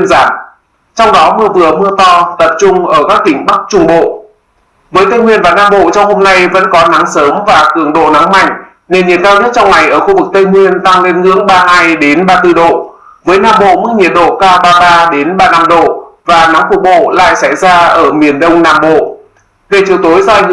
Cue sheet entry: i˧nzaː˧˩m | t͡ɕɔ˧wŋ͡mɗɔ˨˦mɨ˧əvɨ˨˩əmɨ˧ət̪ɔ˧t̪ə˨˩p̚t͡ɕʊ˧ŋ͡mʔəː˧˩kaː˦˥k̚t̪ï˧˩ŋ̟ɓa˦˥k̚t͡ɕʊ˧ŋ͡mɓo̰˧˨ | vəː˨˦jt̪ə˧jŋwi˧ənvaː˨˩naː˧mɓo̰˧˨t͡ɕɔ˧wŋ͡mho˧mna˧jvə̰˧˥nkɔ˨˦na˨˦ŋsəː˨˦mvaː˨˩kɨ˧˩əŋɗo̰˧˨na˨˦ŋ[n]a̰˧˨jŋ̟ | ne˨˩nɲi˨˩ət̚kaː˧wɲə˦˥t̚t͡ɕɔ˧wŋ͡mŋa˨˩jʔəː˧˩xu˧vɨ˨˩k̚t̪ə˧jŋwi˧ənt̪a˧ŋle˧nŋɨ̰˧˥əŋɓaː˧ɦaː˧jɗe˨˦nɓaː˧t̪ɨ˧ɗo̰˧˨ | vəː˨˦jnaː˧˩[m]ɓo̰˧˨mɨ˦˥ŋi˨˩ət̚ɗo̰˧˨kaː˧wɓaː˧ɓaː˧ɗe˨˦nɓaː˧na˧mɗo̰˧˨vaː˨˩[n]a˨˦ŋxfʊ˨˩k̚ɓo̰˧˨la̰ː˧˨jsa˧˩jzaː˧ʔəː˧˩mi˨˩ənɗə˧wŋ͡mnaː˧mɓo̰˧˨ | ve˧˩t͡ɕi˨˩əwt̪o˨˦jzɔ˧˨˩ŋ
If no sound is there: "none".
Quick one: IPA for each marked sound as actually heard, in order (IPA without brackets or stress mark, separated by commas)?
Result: m, m, n